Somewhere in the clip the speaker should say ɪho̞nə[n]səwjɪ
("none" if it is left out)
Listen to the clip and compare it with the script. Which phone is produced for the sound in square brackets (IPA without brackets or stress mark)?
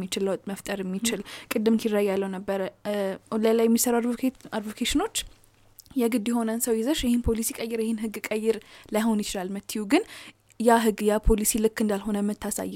n